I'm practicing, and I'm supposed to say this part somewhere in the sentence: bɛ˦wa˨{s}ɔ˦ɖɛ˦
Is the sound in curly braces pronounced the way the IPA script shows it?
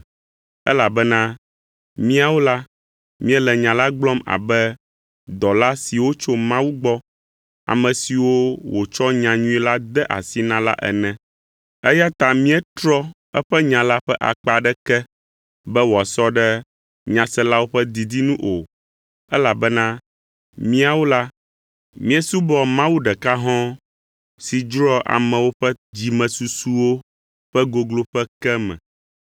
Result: yes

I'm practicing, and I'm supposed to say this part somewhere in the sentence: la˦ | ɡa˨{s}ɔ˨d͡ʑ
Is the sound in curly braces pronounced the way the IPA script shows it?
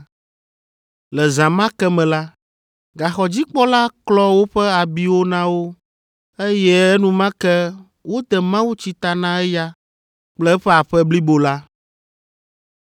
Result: no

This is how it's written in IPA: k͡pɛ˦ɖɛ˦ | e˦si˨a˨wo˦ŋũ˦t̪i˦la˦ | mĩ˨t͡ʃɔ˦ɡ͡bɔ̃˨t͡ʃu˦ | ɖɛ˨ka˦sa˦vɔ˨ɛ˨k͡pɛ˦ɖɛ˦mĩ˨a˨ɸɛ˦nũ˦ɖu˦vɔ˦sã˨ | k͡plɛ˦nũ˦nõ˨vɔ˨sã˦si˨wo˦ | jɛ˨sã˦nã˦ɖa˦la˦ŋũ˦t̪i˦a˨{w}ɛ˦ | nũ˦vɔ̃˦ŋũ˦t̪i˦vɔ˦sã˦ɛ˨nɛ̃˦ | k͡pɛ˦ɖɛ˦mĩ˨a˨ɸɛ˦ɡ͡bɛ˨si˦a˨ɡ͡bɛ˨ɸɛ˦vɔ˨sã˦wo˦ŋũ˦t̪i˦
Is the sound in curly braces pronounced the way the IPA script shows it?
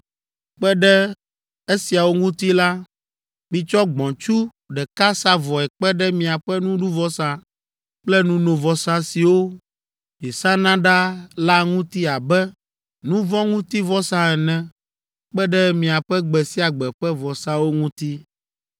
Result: no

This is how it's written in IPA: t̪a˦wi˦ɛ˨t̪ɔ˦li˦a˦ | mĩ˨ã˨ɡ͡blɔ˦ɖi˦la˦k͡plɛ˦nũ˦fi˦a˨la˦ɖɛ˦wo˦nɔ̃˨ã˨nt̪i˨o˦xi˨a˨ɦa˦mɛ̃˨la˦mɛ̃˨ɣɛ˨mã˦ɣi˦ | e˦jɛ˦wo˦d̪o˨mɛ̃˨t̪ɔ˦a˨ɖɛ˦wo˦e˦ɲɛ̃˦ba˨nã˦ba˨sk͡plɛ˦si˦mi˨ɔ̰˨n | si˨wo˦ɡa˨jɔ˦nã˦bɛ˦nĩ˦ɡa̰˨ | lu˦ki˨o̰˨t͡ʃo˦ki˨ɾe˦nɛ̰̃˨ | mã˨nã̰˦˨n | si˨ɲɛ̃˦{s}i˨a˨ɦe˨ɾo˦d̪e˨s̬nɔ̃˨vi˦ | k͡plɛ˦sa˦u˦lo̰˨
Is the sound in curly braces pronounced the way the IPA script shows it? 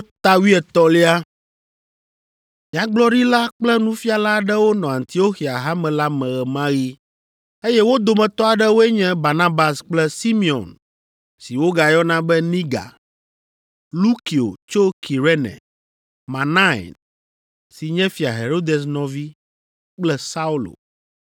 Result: no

